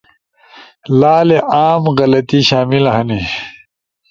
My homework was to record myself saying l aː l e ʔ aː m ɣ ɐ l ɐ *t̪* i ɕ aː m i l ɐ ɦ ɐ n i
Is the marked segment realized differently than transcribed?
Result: no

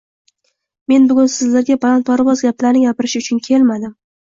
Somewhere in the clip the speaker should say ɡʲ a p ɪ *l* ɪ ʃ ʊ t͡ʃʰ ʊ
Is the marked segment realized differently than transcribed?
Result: yes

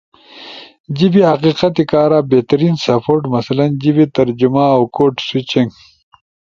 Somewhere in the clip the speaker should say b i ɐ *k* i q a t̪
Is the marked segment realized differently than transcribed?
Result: yes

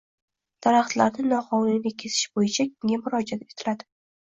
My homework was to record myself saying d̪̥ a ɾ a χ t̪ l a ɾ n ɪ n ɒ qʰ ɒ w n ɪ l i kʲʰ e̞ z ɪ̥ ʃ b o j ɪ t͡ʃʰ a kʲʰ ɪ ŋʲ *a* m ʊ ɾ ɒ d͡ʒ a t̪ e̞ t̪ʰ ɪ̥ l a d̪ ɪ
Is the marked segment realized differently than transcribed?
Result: no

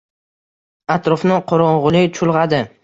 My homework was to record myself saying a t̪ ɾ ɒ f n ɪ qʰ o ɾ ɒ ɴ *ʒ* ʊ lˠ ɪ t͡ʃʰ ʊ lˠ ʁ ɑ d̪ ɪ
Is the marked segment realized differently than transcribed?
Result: yes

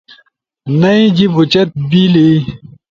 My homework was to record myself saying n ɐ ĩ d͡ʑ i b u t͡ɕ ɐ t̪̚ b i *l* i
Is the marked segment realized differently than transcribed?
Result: no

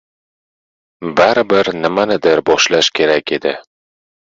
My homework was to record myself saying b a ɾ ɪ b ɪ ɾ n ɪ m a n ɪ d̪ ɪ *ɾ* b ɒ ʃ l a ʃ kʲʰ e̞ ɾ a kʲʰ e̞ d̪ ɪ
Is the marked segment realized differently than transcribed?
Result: no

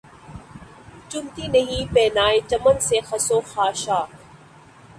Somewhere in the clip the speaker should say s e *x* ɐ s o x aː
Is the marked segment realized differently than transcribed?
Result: no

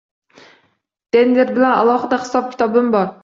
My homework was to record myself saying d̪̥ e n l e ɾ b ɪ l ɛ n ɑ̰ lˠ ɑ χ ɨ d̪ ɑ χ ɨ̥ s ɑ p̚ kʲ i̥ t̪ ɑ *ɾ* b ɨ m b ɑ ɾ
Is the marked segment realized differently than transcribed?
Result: yes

